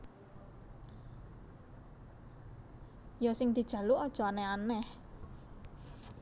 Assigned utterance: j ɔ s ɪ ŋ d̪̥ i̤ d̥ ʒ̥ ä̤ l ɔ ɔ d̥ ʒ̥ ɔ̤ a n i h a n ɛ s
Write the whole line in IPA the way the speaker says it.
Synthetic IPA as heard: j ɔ s ɪ ŋ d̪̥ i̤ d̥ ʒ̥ ä̤ l u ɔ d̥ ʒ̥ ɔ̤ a n ɛ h a n ɛ h